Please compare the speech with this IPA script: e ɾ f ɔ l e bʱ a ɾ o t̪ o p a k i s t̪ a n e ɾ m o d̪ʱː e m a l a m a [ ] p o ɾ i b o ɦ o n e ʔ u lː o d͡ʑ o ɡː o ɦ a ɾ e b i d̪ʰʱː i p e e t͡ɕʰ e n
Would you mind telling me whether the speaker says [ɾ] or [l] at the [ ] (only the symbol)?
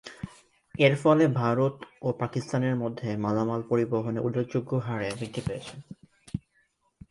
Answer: l